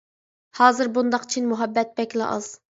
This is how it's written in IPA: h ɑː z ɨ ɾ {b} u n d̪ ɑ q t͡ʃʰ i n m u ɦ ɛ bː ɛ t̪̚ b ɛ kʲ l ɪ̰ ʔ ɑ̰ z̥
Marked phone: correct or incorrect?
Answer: correct